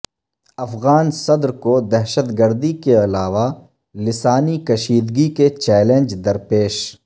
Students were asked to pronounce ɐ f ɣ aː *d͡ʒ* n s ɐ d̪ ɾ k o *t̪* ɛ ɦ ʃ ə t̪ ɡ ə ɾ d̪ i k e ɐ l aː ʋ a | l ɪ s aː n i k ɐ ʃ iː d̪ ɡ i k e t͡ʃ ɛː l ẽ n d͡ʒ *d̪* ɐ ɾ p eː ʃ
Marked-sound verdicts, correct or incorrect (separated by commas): incorrect, incorrect, correct